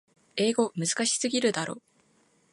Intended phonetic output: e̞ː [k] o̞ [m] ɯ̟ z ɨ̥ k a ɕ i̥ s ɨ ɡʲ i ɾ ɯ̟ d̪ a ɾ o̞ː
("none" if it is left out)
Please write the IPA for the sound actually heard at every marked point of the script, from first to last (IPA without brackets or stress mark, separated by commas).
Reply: ɡ, m